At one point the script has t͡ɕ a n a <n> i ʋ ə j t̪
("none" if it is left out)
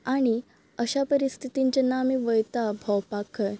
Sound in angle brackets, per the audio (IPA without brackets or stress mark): m